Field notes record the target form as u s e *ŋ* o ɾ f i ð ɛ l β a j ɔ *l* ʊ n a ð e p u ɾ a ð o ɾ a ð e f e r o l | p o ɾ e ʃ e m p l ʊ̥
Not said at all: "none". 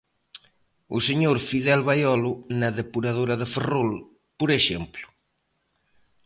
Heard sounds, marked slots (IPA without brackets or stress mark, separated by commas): ɲ, l